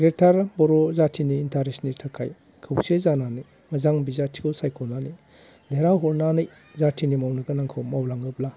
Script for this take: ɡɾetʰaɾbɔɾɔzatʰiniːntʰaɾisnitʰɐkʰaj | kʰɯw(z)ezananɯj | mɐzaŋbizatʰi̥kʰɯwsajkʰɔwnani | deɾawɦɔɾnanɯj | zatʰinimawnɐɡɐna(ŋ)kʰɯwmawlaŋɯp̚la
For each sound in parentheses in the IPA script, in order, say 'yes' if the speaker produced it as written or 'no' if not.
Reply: no, yes

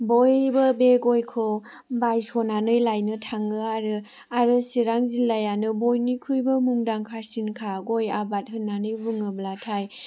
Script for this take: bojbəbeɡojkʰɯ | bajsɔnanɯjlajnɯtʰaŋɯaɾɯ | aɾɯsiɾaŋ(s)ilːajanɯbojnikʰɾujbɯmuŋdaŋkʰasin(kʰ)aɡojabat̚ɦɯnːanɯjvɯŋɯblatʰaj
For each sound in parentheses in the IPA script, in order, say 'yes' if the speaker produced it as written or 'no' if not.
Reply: no, yes

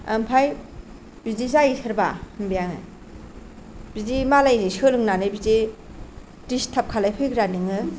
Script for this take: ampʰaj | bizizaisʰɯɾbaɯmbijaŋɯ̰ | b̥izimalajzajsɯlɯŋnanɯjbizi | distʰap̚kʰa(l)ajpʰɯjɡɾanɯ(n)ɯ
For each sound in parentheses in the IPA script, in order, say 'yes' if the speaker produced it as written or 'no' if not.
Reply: yes, no

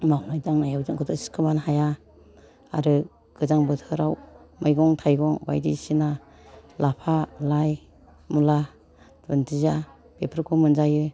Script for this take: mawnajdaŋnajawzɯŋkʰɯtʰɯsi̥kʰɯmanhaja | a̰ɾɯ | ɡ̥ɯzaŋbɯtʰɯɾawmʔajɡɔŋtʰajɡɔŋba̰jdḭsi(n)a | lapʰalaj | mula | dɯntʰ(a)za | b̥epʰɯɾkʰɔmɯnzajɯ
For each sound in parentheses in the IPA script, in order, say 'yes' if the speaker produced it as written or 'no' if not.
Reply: yes, no

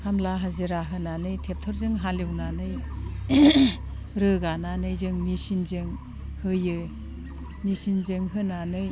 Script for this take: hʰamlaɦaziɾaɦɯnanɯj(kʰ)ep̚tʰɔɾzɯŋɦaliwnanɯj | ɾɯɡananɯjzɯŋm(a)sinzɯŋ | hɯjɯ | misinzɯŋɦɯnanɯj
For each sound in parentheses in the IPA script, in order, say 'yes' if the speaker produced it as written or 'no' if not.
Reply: no, no

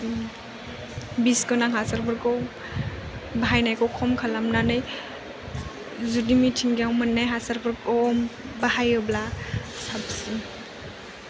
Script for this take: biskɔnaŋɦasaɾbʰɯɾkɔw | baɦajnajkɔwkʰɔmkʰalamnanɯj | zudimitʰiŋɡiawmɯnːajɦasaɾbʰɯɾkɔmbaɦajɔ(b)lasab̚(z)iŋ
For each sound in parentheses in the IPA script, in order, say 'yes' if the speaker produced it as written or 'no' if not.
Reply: yes, no

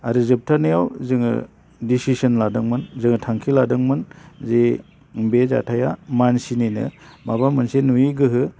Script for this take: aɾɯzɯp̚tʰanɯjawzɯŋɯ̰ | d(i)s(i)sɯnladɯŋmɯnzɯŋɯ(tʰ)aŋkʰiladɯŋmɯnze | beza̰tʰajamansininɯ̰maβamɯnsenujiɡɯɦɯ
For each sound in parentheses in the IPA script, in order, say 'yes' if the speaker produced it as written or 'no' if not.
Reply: yes, yes, yes

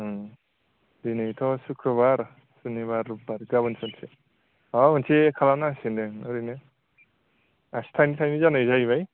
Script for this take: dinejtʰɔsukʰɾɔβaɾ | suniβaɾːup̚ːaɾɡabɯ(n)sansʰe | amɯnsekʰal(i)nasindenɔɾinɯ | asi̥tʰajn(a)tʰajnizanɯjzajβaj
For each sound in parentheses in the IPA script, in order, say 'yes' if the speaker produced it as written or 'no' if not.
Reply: yes, no, no

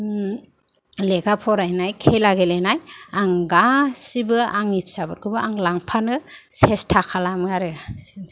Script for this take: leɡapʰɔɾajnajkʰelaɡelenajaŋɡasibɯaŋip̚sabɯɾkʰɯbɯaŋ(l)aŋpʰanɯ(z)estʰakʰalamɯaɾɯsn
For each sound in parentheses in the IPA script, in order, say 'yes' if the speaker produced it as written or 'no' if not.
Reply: yes, no

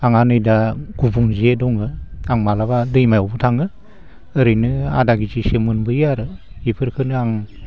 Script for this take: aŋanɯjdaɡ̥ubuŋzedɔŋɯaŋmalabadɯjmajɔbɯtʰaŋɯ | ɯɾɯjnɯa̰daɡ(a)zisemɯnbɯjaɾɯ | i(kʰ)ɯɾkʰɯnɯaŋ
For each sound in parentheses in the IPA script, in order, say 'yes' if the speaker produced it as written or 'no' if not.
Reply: no, no

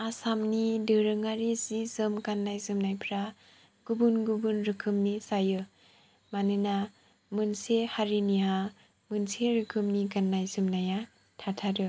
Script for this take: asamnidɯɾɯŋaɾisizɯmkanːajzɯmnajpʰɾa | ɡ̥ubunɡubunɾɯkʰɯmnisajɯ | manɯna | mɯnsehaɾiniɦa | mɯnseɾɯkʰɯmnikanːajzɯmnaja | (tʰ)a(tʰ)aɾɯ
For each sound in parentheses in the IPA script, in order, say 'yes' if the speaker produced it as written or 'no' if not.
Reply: yes, yes

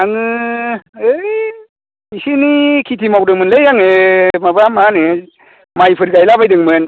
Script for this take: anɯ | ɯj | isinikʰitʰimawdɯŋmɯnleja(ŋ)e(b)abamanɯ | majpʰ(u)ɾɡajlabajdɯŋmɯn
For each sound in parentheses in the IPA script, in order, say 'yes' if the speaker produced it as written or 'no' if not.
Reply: yes, no, no

